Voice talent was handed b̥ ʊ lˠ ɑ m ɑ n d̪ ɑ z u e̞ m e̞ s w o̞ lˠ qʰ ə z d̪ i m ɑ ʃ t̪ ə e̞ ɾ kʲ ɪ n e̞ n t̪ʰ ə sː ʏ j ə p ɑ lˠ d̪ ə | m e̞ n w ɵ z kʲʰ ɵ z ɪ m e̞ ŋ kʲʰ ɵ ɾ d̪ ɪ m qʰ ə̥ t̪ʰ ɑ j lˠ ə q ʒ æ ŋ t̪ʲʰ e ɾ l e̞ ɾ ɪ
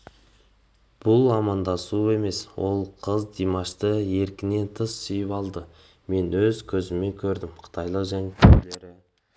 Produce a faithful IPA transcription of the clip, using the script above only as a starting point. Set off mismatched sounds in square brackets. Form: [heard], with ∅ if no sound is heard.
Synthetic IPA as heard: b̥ ʊ lˠ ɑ m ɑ n d̪ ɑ [s] u e̞ m e̞ s w o̞ lˠ qʰ ə z d̪ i m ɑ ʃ t̪ ə e̞ ɾ kʲ ɪ n e̞ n t̪ʰ ə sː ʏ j ə p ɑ lˠ d̪ ə | m e̞ n w ɵ z kʲʰ ɵ z ɪ m e̞ ŋ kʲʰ ɵ ɾ d̪ ɪ m qʰ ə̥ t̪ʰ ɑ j lˠ ə q ʒ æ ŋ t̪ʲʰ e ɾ l e̞ ɾ ɪ